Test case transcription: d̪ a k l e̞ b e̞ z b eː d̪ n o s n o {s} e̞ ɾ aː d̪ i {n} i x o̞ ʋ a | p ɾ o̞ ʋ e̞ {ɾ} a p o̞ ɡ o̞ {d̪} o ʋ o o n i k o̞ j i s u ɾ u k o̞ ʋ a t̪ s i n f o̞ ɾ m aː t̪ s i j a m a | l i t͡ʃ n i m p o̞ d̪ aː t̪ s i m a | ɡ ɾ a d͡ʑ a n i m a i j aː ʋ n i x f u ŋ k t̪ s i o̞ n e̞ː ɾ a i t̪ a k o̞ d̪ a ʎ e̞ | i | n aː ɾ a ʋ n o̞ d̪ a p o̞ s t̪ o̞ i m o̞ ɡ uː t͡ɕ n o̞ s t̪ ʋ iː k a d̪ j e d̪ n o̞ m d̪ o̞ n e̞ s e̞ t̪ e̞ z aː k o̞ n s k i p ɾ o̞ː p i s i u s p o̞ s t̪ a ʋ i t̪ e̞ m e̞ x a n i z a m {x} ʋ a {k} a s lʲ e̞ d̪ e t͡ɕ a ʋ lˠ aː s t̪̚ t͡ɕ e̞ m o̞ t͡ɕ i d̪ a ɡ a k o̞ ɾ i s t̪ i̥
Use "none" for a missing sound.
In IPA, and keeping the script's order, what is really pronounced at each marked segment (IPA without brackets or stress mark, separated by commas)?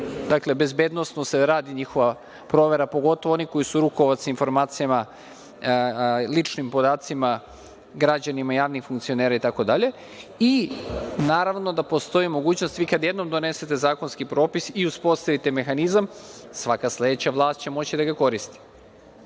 s, ɲ, ɾ, t̪, s, k